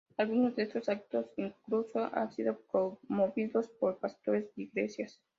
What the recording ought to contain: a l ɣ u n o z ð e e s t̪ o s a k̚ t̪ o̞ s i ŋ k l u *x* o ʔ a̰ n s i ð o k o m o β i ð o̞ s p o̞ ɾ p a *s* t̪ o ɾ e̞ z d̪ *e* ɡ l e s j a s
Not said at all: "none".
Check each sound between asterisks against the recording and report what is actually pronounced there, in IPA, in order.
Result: s, s, i

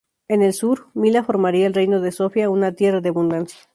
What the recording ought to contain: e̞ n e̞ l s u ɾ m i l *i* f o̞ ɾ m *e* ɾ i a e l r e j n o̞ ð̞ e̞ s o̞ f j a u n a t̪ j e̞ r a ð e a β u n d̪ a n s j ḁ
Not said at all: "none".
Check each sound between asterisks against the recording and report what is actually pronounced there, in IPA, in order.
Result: a, a

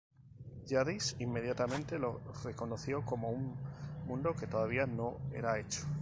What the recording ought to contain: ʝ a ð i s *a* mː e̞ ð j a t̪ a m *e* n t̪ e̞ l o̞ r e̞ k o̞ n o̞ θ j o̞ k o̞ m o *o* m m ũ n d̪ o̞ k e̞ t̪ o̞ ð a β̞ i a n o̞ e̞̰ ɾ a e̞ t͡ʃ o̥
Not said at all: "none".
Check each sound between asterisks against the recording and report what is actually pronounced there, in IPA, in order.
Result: i, ẽ, u

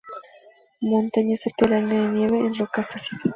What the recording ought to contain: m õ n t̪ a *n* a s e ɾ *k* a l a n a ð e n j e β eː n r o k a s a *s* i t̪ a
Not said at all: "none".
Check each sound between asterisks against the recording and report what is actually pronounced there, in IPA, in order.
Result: ɲ, k, s

